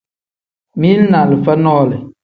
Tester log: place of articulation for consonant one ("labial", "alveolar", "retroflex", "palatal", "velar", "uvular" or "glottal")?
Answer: labial